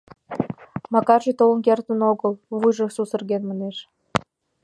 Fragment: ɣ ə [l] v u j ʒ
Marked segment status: correct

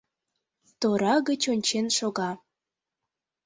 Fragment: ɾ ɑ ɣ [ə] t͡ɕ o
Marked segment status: correct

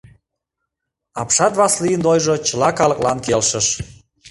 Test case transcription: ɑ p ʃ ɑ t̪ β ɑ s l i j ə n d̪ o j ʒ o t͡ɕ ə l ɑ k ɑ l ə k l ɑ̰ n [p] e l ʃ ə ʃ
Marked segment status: incorrect: k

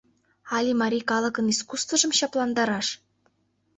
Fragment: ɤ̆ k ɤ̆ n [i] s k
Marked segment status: correct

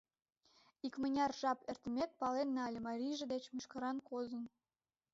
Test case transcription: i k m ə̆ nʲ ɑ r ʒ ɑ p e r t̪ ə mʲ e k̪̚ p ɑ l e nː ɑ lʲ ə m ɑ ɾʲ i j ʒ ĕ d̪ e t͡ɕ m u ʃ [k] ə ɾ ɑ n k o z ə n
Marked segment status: correct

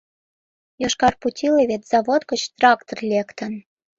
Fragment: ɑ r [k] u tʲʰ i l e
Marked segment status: incorrect: p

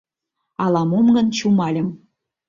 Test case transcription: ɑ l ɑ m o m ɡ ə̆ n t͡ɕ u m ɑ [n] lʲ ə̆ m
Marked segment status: incorrect: none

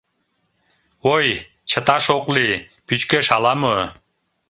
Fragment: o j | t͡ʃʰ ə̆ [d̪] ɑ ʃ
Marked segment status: incorrect: t̪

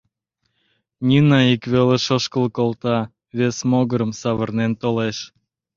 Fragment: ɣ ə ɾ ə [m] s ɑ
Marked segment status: correct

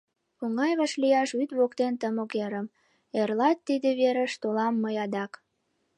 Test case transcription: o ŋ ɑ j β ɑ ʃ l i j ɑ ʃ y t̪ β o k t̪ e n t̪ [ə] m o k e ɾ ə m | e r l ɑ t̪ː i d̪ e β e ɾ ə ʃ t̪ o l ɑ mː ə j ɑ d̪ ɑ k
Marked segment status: correct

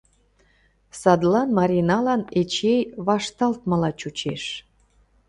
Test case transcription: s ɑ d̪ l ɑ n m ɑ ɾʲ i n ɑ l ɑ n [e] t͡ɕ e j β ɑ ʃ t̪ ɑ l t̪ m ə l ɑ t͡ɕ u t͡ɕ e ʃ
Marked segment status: correct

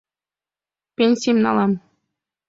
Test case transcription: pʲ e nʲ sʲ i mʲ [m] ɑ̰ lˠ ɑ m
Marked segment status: incorrect: n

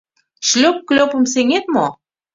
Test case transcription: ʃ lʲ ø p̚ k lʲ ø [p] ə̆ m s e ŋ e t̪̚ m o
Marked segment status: correct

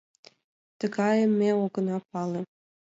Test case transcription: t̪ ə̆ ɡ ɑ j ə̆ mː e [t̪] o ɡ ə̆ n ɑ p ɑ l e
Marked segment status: incorrect: none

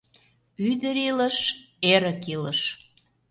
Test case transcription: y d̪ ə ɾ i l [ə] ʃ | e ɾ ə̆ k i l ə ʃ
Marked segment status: correct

